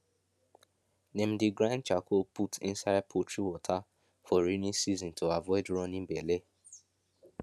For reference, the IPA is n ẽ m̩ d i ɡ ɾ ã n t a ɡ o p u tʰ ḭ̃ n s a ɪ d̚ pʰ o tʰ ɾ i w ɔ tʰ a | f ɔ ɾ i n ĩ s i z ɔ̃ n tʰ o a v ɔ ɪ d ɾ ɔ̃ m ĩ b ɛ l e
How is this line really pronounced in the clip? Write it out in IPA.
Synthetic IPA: n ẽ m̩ d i ɡ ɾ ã n t͡ʃ a k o p u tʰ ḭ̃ n s a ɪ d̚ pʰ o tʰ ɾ i w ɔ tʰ a | f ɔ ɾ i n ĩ s i z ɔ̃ n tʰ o a v ɔ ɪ d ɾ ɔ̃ n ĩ b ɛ l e